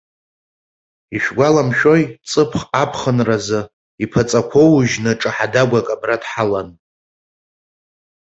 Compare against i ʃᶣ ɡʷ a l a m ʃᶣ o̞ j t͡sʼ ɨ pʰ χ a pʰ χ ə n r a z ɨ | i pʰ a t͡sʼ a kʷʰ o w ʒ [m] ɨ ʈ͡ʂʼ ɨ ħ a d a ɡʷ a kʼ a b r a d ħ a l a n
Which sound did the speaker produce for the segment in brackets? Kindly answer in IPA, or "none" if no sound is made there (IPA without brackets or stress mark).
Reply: n